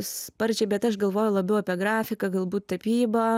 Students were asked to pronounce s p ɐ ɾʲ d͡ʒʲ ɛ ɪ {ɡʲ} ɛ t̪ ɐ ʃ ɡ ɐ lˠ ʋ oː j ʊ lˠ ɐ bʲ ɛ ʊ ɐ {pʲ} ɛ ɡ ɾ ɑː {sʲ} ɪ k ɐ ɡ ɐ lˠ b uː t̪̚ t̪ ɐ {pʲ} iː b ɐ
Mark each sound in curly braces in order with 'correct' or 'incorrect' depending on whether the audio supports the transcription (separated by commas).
incorrect, correct, incorrect, correct